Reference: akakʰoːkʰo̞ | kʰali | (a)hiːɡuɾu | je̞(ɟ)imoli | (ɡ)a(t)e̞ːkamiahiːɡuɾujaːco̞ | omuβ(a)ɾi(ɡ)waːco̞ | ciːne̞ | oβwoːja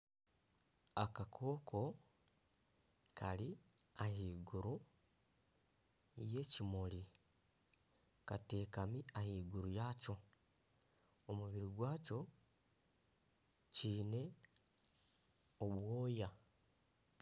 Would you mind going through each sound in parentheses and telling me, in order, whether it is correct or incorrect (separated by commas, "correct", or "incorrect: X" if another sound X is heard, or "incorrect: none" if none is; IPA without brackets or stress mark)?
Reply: correct, incorrect: c, incorrect: k, correct, incorrect: i, correct